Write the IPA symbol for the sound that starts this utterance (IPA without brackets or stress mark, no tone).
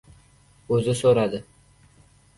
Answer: ɵ